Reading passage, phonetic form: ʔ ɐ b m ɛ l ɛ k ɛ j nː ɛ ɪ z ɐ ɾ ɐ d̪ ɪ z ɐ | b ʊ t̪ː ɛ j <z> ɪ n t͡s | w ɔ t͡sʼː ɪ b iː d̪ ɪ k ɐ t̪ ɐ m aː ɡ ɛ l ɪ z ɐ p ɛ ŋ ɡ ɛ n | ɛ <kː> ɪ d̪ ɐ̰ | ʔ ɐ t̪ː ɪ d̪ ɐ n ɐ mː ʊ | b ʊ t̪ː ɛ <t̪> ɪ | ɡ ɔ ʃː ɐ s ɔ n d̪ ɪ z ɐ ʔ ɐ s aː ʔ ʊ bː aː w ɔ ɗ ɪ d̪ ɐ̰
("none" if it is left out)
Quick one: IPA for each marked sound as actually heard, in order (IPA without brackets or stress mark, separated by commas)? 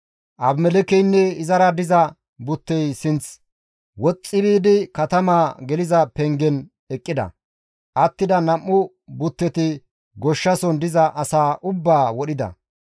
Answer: s, kʼː, t̪